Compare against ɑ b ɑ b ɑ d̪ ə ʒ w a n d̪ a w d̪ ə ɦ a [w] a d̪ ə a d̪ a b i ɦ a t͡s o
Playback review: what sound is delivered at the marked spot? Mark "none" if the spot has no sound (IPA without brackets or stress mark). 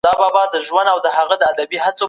ɣ